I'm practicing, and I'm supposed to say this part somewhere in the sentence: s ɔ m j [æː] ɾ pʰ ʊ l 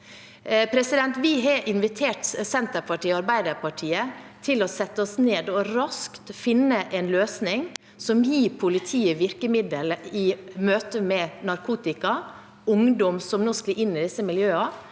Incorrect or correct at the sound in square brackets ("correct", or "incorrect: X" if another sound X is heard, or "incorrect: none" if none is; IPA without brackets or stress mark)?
incorrect: iː